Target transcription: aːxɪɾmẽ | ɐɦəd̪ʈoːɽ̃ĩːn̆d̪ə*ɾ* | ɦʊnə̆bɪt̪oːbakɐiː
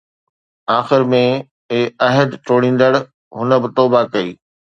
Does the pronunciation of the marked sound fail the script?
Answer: yes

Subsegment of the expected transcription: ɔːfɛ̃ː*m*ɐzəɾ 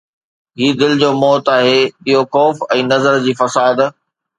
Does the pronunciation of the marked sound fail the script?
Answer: yes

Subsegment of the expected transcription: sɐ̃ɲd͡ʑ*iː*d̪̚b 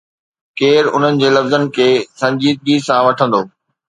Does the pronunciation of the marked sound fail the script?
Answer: no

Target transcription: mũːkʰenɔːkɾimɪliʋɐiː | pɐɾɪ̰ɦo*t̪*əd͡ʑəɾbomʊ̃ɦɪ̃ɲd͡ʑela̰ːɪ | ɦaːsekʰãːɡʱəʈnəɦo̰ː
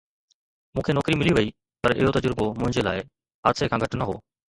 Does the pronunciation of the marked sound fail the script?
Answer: no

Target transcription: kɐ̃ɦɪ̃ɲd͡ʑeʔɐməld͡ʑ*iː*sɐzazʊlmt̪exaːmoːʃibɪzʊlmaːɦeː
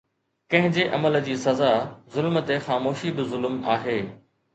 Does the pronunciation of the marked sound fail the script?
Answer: no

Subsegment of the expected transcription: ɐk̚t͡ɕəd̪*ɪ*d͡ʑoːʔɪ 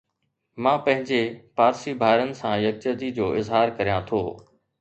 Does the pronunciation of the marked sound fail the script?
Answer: yes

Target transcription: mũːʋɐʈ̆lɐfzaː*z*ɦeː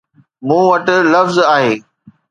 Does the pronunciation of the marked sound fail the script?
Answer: yes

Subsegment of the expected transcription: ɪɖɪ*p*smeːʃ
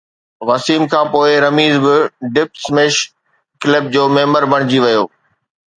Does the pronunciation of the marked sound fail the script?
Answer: no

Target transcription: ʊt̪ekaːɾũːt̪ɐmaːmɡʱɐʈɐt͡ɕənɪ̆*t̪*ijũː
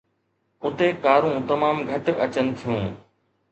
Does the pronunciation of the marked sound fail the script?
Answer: yes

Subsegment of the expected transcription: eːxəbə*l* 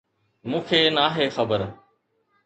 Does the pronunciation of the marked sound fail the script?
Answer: yes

